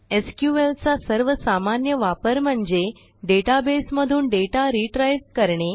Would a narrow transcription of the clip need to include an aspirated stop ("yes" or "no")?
no